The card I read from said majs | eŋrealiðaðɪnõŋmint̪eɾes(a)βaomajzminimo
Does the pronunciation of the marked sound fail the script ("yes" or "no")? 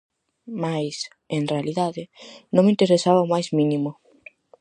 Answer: no